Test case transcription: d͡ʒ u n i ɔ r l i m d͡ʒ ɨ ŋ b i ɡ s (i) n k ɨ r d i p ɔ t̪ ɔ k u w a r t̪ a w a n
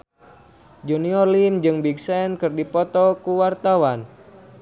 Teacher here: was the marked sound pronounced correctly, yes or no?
no